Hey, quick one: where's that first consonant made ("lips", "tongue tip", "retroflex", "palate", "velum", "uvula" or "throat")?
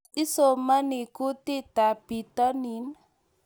tongue tip